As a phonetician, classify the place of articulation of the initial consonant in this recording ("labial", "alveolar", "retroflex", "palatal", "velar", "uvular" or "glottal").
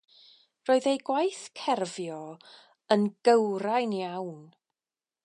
alveolar